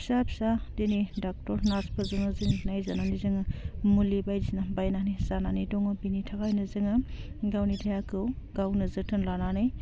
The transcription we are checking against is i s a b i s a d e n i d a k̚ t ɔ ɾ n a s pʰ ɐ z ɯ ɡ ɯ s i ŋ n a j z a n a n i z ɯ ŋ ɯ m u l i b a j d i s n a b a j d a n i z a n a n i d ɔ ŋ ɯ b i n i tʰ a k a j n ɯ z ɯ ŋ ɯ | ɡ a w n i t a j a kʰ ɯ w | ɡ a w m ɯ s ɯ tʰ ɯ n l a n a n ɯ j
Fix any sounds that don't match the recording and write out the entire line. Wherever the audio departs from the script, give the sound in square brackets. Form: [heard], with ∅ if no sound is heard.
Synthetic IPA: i s a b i s a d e n i d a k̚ t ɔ ɾ n a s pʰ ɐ z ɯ [ŋ] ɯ [z] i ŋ n a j z a n a n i z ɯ ŋ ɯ m u l i b a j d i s n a b a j [n] a n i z a n a n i d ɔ ŋ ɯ b i n i tʰ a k a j n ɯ z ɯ ŋ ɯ | ɡ a w n i [tʰ] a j a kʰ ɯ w | ɡ a w [n] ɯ [z] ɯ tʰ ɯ n l a n a n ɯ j

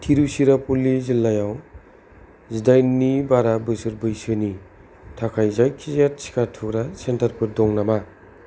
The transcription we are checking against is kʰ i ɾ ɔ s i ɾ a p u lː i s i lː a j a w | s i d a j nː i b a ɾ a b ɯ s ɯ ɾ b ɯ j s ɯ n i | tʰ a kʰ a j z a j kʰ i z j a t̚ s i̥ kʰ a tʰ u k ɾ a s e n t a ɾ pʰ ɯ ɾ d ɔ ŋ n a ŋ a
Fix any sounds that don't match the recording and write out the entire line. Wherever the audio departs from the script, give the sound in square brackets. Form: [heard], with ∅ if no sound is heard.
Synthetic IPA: [tʰ] i ɾ [u] s i ɾ a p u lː i [z] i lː a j a w | [z] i d a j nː i b a ɾ a b ɯ s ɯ ɾ b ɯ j s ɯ n i | tʰ a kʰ a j z a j kʰ i z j a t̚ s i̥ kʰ a tʰ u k ɾ a s e n t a ɾ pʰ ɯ ɾ d ɔ ŋ n a [m] a

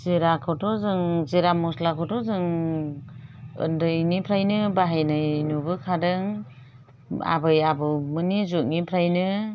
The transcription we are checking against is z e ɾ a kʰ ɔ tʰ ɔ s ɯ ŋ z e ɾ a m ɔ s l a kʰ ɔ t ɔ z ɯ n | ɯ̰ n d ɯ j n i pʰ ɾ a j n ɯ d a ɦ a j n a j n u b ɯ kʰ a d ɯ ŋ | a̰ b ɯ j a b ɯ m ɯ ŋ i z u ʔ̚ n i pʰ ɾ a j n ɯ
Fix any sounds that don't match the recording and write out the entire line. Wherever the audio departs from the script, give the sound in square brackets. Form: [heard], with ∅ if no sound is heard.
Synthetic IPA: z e ɾ a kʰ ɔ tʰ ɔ [z] ɯ ŋ z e ɾ a m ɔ s l a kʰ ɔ t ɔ z ɯ [ŋ] | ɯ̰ n d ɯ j n i pʰ ɾ a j n ɯ [b] a ɦ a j n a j n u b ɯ kʰ a d ɯ ŋ | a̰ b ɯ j a b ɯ m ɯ [n] i z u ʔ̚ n i pʰ ɾ a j n ɯ

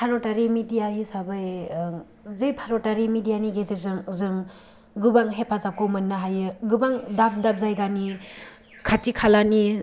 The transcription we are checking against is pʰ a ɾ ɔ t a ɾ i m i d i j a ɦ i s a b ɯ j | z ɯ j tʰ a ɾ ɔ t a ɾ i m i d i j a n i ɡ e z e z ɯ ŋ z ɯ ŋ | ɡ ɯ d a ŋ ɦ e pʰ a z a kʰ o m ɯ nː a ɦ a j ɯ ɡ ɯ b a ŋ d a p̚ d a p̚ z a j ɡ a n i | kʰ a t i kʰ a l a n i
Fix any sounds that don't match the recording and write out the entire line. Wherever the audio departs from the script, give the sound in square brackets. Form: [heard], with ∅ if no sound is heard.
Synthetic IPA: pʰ a ɾ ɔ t a ɾ i m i d i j a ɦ i s a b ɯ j | z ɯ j [pʰ] a ɾ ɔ t a ɾ i m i d i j a n i ɡ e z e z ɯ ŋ z ɯ ŋ | ɡ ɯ [b] a ŋ ɦ e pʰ a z a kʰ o m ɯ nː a ɦ a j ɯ ɡ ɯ b a ŋ d a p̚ d a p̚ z a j ɡ a n i | kʰ a t i kʰ a l a n i

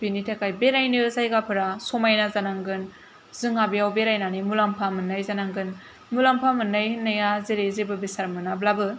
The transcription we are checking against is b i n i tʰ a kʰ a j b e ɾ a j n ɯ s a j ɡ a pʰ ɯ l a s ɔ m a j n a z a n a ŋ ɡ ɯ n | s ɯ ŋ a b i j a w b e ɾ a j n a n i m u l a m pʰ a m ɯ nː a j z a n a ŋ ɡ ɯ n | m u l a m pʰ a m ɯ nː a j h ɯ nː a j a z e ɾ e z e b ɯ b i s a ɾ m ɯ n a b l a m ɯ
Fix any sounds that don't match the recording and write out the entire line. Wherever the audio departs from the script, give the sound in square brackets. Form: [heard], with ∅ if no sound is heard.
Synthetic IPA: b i n i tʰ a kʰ a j b e ɾ a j n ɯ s a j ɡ a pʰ ɯ [ɾ] a s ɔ m a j n a z a n a ŋ ɡ ɯ n | [z] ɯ ŋ a b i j a w b e ɾ a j n a n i m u l a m pʰ a m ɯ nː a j z a n a ŋ ɡ ɯ n | m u l a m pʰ a m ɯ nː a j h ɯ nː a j a z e ɾ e z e b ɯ b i s a ɾ m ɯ n a b l a [b] ɯ

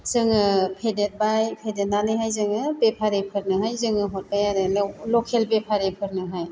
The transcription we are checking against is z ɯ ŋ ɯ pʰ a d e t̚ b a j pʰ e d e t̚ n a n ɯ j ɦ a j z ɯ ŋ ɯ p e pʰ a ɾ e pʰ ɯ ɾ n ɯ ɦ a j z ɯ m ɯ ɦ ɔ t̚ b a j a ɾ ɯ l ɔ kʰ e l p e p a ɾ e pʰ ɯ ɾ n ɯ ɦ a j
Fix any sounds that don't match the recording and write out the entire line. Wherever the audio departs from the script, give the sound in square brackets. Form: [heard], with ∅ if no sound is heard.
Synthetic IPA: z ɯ ŋ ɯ pʰ [e] d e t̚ b a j pʰ e d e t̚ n a n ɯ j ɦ a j z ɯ ŋ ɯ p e pʰ a ɾ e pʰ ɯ ɾ n ɯ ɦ a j z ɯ [ŋ] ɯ ɦ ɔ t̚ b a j a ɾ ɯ l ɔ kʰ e l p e [pʰ] a ɾ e pʰ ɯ ɾ n ɯ ɦ a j

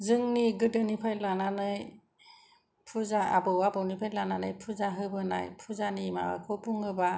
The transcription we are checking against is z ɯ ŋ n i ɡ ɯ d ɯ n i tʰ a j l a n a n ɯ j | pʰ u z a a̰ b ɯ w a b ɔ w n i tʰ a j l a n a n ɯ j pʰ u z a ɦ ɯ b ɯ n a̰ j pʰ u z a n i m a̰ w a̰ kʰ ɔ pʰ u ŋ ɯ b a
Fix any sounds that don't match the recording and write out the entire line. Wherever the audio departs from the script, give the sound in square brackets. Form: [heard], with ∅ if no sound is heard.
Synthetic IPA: z ɯ ŋ n i ɡ ɯ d ɯ n i [pʰ] a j l a n a n ɯ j | pʰ u z a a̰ b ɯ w a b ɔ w n i [pʰ] a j l a n a n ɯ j pʰ u z a ɦ ɯ b ɯ n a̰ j pʰ u z a n i m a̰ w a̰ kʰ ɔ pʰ u ŋ ɯ b a

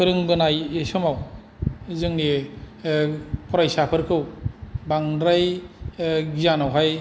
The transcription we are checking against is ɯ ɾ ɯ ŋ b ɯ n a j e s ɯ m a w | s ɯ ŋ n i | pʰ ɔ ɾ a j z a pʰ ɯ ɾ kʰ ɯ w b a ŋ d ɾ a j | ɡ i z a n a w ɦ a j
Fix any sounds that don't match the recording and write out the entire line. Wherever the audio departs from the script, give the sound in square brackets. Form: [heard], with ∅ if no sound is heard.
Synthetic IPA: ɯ ɾ ɯ ŋ b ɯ n a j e s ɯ m a w | [z] ɯ ŋ n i | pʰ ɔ ɾ a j [s] a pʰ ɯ ɾ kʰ ɯ w b a ŋ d ɾ a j | ɡ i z a n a w ɦ a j

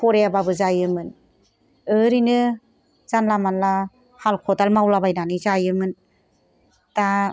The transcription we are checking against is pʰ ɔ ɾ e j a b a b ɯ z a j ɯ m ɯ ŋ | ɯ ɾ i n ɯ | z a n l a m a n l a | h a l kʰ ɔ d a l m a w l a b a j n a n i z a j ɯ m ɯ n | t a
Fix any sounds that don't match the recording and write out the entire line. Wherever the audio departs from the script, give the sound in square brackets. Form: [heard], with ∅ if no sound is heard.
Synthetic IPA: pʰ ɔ ɾ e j a b a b ɯ z a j ɯ m ɯ [n] | ɯ ɾ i n ɯ | z a n l a m a n l a | h a l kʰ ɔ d a l m a w l a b a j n a n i z a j ɯ m ɯ n | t a

